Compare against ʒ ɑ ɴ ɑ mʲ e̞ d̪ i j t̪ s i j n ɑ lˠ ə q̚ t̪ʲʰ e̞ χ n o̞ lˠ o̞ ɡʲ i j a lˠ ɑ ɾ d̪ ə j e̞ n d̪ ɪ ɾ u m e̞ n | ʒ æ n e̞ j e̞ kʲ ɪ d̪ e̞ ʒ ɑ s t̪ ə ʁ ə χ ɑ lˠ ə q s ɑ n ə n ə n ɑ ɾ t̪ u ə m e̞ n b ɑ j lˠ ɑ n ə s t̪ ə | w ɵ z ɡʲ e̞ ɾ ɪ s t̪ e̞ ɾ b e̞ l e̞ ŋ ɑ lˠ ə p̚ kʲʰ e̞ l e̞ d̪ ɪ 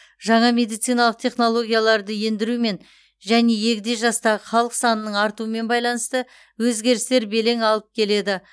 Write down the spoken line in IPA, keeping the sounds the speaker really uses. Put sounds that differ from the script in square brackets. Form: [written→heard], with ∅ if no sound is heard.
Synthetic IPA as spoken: ʒ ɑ ɴ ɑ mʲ e̞ d̪ i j t̪ s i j n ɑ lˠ ə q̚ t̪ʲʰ e̞ χ n o̞ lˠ o̞ ɡʲ i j a lˠ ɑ ɾ d̪ ə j e̞ n d̪ ɪ ɾ u m e̞ n | ʒ æ n e̞ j e̞ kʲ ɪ d̪ e̞ ʒ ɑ s t̪ [ə→ɑ] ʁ ə χ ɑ lˠ ə q s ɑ n ə n ə [n→ɴ] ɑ ɾ t̪ u ə m e̞ n b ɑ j lˠ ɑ n ə s t̪ ə | w ɵ z ɡʲ e̞ ɾ ɪ s t̪ e̞ ɾ b e̞ l e̞ ŋ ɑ lˠ ə p̚ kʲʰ e̞ l e̞ d̪ ɪ

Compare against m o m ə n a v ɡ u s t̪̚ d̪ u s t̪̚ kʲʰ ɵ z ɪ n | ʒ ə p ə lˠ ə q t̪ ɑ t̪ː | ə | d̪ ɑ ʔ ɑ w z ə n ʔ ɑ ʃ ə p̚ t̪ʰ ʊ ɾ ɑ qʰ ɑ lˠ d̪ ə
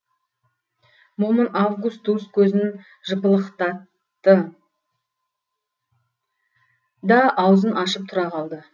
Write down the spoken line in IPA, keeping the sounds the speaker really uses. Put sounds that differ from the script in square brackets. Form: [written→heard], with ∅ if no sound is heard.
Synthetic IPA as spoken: m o m ə n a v ɡ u s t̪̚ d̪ u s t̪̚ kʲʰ ɵ z ɪ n | ʒ ə p ə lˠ ə q t̪ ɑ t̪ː | ə | d̪ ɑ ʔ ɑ w z ə n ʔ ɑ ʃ ə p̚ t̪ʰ ʊ ɾ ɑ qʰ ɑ lˠ d̪ ə

